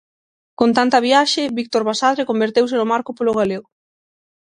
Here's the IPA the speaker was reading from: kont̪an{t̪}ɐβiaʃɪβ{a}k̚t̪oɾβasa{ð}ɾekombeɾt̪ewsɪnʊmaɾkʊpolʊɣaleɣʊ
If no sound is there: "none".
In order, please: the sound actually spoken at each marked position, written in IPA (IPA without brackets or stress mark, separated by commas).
t̪, i, ð